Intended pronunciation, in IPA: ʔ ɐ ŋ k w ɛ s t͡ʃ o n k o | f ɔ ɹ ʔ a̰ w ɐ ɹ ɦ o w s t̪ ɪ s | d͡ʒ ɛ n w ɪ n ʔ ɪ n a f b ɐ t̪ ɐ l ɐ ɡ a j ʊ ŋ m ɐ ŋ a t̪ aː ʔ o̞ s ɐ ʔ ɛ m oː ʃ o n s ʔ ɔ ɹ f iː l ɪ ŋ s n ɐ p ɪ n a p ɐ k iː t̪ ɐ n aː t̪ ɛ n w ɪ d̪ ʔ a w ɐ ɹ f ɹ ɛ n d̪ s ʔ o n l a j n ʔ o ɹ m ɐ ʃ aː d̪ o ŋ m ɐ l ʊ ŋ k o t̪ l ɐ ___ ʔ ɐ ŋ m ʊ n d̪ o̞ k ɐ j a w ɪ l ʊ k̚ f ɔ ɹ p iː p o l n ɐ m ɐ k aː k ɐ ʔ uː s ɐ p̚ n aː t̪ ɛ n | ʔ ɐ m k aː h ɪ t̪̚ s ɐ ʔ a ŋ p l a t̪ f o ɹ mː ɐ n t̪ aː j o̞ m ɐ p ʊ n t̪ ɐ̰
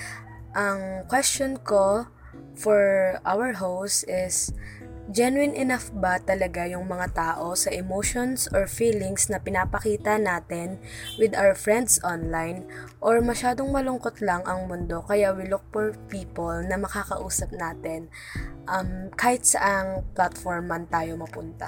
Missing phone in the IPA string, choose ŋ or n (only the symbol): ŋ